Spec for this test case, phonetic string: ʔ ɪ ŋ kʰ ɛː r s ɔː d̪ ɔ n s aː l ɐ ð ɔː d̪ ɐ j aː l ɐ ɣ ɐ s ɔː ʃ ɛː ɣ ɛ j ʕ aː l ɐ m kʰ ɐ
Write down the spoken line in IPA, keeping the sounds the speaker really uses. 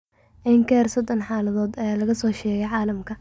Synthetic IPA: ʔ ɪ ŋ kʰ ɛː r s ɔ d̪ ɔ n ħ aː l ɐ ð ɔː d̪ ɐ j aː l ɐ ɣ ɐ s ɔː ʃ ɛː ɣ ɛ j ʕ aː l ɐ m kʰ ɐ